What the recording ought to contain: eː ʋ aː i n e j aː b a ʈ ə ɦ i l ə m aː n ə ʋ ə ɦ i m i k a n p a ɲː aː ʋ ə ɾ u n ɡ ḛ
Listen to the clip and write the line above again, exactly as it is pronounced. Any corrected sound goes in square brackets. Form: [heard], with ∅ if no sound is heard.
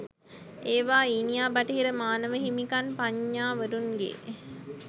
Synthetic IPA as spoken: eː ʋ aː i n [i] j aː b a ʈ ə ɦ i [ɾ] ə m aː n ə ʋ ə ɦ i m i k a n p a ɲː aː ʋ ə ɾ u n ɡ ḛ